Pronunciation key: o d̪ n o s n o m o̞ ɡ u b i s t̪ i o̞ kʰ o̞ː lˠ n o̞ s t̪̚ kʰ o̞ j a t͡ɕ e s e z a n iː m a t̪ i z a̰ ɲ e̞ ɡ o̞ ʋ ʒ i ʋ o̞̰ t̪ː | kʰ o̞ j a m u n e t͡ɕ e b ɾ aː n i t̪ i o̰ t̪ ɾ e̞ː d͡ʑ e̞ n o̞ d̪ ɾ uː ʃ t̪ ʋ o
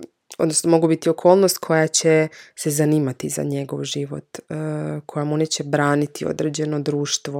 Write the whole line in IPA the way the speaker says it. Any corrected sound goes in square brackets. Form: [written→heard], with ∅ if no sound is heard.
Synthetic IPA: o d̪ n o s n o m o̞ ɡ u b i [s→∅] t̪ i o̞ kʰ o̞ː lˠ n o̞ s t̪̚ kʰ o̞ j a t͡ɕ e s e z a n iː m a t̪ i z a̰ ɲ e̞ ɡ o̞ ʋ ʒ i ʋ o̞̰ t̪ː | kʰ o̞ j a m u n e t͡ɕ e b ɾ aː n i t̪ i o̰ [t̪→d̪] ɾ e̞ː d͡ʑ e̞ n o̞ d̪ ɾ uː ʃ t̪ ʋ o